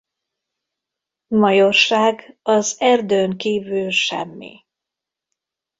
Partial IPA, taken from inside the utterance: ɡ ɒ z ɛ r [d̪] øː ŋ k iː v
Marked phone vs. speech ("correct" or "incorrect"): correct